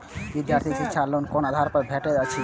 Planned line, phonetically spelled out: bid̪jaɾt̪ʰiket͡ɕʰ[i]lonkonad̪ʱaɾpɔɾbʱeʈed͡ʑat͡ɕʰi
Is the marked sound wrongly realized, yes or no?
yes